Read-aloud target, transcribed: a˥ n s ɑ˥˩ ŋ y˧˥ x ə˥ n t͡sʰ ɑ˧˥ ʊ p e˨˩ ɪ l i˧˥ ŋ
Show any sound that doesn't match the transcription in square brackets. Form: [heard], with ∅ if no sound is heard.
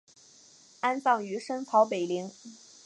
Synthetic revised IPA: a˥ n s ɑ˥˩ ŋ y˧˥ [ʂ] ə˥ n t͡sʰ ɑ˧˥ ʊ p e˨˩ ɪ l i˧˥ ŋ

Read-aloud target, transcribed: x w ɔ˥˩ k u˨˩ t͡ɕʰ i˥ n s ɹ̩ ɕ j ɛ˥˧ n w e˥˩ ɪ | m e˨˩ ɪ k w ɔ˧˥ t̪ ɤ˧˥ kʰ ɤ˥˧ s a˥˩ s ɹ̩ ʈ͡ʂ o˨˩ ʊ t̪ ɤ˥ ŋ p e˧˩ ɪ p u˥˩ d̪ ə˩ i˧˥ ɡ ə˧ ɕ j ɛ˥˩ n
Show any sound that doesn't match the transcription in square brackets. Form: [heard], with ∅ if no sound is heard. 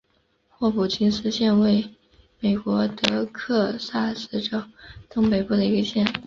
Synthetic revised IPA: x w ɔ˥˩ [p] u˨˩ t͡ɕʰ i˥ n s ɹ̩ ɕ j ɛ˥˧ n w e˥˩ ɪ | m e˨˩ ɪ k w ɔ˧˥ t̪ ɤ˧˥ kʰ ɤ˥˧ s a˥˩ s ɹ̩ ʈ͡ʂ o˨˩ ʊ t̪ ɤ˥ ŋ p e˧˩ ɪ p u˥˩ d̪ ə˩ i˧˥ ɡ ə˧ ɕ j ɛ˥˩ n

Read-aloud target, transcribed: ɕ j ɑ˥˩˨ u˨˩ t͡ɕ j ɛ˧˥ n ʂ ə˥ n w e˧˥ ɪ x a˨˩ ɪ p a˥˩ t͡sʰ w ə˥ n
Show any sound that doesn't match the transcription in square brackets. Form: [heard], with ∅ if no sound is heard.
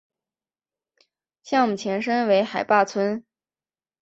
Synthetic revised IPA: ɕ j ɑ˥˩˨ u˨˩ [t͡ɕʰ] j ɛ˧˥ n ʂ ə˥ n w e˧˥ ɪ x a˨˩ ɪ p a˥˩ t͡sʰ w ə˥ n

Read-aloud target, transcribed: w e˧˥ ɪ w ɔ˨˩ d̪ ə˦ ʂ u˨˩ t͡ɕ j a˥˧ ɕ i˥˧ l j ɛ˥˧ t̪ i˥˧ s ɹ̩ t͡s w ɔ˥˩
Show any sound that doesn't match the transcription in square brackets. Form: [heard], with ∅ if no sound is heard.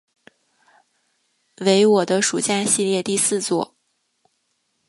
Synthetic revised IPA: w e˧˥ ɪ w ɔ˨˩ d̪ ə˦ ʂ u˨˩ t͡ɕ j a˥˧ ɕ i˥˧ l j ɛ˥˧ t̪ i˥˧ s ɹ̩ t͡s w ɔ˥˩

